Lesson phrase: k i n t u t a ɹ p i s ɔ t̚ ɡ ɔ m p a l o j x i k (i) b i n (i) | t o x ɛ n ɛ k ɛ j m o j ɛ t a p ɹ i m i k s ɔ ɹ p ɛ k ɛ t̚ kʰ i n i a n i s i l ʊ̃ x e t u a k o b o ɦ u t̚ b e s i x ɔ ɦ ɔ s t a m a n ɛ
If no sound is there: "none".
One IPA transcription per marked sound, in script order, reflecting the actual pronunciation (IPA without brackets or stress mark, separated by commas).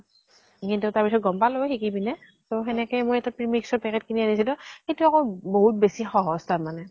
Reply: i, ɛ